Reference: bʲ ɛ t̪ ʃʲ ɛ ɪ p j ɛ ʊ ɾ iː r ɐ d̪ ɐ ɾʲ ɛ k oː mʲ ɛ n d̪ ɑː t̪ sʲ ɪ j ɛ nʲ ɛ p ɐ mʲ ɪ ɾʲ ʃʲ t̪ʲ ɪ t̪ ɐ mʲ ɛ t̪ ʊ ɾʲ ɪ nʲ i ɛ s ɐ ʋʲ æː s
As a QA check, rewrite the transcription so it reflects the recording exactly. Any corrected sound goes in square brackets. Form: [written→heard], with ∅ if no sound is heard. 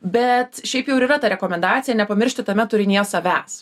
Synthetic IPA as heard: bʲ ɛ t̪ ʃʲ ɛ ɪ p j ɛ ʊ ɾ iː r ɐ [d̪→t̪] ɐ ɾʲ ɛ k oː mʲ ɛ n d̪ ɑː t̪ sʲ ɪ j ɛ nʲ ɛ p ɐ mʲ ɪ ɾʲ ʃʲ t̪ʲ ɪ t̪ ɐ mʲ ɛ t̪ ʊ ɾʲ ɪ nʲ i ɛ s ɐ ʋʲ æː s